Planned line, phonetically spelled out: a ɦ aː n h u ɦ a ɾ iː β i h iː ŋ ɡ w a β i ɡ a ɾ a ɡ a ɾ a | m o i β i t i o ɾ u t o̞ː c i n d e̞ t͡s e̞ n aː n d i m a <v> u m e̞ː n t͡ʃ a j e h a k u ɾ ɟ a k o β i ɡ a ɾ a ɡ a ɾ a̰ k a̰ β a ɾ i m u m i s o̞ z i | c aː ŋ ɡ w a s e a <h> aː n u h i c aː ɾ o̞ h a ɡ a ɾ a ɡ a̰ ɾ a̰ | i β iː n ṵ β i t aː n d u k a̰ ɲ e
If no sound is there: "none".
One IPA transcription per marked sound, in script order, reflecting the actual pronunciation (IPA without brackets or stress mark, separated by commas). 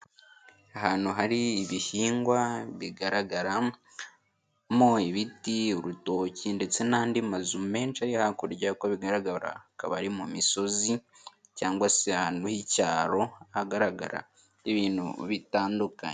z, h